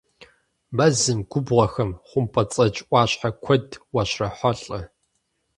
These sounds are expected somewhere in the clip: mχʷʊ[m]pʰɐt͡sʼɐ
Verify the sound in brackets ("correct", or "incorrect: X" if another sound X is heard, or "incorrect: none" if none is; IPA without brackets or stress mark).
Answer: correct